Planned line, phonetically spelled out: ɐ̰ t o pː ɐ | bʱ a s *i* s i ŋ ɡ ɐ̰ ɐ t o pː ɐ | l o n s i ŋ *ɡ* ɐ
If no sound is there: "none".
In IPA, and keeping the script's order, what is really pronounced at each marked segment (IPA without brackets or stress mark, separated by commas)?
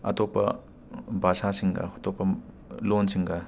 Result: a, ɡ